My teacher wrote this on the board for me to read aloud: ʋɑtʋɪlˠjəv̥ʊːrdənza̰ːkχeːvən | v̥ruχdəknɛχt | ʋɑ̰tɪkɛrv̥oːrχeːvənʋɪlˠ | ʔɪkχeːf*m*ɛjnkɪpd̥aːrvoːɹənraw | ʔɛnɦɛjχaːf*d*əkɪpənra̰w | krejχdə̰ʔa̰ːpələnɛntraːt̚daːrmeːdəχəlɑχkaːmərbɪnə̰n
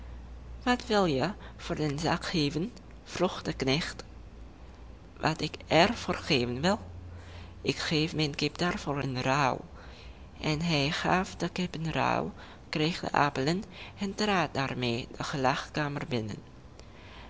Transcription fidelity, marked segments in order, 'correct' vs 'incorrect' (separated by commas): correct, correct